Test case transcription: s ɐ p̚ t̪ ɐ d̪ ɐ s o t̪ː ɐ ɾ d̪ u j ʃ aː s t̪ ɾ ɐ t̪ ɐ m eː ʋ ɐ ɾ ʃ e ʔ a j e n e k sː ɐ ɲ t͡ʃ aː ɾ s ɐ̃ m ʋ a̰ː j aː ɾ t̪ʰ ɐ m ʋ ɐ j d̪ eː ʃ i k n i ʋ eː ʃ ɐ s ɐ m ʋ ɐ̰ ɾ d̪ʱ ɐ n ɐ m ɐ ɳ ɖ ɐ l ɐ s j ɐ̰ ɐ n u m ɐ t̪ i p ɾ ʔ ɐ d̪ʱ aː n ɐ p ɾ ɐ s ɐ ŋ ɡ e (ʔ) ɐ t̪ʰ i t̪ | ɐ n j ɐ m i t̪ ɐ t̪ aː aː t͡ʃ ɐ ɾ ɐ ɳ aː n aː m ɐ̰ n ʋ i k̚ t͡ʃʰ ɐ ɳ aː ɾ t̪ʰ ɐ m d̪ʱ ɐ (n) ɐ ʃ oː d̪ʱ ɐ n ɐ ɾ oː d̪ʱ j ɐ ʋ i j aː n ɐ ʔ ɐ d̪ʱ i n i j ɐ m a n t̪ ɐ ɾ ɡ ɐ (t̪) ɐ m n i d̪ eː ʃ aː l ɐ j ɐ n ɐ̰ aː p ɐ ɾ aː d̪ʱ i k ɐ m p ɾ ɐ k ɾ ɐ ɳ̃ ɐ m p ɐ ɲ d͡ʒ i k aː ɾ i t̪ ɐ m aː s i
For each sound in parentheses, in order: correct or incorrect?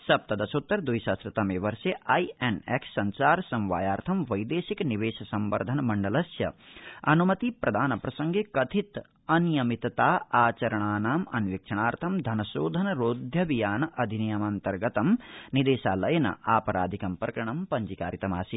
incorrect: k, correct, correct

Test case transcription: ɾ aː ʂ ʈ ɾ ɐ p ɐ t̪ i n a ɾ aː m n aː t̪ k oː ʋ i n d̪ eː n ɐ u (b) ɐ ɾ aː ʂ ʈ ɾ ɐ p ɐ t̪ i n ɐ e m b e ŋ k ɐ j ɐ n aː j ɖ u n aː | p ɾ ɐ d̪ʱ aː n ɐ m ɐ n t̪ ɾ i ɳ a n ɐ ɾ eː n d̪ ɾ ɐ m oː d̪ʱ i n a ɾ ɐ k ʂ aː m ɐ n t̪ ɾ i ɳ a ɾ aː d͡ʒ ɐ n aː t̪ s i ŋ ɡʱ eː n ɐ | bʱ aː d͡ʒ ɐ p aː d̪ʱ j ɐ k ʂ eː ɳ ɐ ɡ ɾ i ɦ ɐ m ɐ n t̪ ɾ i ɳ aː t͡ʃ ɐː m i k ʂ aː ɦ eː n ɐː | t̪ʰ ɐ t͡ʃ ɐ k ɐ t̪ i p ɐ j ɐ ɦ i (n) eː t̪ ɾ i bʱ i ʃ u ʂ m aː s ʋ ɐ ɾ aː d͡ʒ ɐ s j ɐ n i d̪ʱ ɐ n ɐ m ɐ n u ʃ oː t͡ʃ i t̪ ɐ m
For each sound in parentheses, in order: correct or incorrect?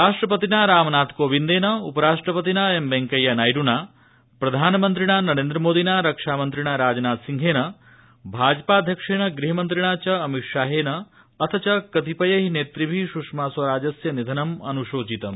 incorrect: p, correct

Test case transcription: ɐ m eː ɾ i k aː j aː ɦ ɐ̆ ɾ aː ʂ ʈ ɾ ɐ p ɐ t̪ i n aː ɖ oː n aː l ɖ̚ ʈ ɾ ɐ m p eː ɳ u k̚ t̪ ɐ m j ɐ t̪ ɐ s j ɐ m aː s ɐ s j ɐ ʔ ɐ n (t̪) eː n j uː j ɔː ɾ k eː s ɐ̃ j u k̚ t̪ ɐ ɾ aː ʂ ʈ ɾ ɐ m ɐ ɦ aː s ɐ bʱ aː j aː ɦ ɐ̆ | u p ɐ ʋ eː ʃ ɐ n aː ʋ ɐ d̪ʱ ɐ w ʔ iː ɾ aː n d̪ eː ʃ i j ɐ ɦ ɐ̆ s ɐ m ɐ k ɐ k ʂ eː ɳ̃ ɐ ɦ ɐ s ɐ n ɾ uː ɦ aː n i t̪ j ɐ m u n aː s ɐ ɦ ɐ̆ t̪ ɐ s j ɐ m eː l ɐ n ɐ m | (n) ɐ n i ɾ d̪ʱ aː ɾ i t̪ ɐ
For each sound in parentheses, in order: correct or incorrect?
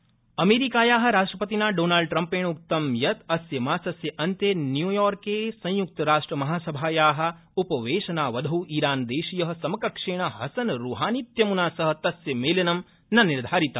correct, correct

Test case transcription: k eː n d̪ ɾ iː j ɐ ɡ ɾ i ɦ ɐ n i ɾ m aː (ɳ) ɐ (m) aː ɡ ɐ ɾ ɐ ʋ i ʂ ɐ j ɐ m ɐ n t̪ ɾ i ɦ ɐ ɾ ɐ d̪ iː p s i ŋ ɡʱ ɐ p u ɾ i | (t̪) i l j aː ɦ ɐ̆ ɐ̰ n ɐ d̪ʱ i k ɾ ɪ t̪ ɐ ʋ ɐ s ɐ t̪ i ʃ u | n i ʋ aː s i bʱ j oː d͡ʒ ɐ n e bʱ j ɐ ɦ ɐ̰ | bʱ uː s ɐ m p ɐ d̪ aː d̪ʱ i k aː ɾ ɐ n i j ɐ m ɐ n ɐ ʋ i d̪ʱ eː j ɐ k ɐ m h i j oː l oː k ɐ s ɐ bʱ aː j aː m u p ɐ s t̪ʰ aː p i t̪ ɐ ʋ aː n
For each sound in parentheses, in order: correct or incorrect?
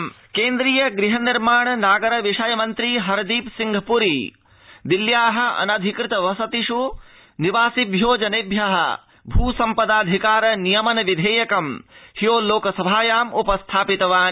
correct, incorrect: n, incorrect: d̪

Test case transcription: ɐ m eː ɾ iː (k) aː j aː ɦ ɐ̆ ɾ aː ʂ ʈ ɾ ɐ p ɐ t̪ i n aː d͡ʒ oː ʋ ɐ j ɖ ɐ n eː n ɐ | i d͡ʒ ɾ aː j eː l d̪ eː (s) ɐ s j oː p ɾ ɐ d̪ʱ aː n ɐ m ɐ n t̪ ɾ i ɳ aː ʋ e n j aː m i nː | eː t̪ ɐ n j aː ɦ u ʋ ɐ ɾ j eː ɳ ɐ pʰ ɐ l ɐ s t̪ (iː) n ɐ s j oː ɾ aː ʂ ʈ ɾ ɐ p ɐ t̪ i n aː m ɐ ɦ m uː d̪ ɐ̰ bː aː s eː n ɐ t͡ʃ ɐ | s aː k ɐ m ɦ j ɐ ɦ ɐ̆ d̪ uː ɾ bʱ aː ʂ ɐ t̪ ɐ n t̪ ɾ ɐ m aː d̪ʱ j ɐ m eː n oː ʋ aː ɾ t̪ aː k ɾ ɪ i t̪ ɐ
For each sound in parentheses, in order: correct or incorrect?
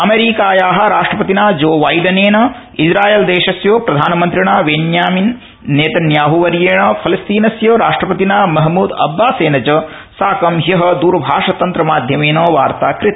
correct, incorrect: ʃ, correct

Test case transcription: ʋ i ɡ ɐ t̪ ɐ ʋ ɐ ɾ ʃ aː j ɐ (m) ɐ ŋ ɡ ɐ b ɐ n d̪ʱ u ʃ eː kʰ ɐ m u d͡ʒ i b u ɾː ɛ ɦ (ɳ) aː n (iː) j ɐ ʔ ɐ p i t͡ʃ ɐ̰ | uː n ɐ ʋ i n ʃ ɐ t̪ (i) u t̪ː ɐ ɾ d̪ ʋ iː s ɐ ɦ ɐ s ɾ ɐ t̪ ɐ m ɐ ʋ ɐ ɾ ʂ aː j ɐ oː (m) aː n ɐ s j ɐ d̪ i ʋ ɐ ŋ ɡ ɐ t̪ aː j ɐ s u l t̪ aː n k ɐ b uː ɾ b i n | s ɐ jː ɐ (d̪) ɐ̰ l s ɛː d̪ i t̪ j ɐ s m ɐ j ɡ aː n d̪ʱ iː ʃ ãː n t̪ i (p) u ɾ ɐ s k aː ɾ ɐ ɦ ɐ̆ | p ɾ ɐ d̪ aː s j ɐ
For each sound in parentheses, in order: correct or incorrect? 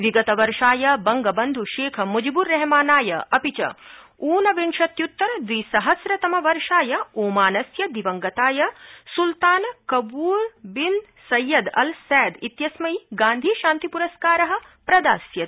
incorrect: b, incorrect: m, incorrect: aː, incorrect: j, correct, correct, correct

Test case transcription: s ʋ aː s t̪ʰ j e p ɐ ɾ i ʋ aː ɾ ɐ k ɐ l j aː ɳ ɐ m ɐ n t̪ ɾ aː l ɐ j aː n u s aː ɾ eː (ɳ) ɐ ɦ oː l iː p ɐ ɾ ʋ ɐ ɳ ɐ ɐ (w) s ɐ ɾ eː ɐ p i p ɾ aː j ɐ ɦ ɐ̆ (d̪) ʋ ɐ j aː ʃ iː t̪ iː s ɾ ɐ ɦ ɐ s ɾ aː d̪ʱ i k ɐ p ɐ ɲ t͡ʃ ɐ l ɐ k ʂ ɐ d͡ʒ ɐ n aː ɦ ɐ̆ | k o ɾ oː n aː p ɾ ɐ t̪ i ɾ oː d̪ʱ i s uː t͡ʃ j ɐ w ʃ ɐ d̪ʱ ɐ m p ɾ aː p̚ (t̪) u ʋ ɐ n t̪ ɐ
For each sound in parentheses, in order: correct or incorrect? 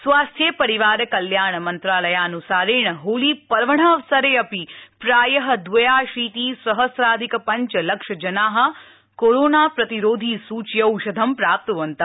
correct, incorrect: ʋ, correct, correct

